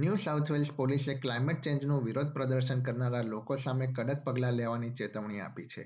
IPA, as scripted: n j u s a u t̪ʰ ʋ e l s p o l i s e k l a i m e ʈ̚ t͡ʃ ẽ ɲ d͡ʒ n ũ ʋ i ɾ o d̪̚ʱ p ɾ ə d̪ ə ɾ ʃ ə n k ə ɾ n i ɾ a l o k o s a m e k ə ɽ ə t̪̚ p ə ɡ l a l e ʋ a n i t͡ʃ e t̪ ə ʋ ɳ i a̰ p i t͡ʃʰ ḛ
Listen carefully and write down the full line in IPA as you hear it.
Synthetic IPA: n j u s a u t̪ʰ ʋ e l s p o l i s e k l a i m e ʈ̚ t͡ʃ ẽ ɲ d͡ʒ n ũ ʋ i ɾ o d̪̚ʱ p ɾ ə d̪ ə ɾ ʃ ə n k ə ɾ n a ɾ a l o k o s a m e k ə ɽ ə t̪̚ p ə ɡ l a l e ʋ a n i t͡ʃ e t̪ ə ʋ ɳ i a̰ p i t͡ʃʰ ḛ